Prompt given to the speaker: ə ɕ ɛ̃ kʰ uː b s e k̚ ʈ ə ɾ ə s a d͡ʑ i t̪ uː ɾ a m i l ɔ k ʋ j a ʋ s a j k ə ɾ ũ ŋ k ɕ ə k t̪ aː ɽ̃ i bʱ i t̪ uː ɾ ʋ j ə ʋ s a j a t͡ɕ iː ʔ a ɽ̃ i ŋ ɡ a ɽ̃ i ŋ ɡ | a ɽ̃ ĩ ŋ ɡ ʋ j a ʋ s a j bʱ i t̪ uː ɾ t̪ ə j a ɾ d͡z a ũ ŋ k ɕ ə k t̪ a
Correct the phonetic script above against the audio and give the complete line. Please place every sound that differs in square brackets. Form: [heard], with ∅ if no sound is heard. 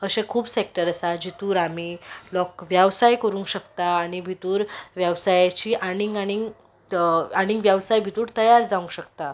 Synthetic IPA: ə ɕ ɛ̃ kʰ uː b s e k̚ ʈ ə ɾ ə s a d͡ʑ i t̪ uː ɾ a m i l ɔ k ʋ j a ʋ s a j k ə ɾ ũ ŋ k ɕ ə k t̪ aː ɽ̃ i bʱ i t̪ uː ɾ ʋ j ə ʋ s a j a t͡ɕ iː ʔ a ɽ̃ i ŋ ɡ a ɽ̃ i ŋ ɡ | a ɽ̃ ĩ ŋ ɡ ʋ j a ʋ s a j bʱ i t̪ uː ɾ t̪ ə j a ɾ d͡z a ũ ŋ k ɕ ə k t̪ a